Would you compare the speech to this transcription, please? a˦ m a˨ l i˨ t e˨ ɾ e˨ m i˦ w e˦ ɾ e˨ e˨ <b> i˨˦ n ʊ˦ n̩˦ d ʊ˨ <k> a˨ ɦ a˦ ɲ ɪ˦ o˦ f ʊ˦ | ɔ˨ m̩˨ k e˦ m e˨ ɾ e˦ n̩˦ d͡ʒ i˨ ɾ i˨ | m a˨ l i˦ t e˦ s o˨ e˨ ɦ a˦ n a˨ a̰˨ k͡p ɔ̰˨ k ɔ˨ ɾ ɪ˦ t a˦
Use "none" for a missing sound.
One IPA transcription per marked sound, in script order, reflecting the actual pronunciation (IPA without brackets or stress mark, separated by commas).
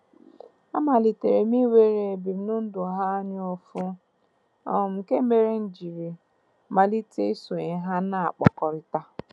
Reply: b, none